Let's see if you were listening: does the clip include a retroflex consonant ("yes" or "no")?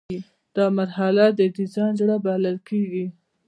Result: yes